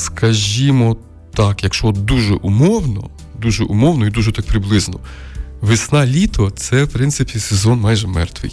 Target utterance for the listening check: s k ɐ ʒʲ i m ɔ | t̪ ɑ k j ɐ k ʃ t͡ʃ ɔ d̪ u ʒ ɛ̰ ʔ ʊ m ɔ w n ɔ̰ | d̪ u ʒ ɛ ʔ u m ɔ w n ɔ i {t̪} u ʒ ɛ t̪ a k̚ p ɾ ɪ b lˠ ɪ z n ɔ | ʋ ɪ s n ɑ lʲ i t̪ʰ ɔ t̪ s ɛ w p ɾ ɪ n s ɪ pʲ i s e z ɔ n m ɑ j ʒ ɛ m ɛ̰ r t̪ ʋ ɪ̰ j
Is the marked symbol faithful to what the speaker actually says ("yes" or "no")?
no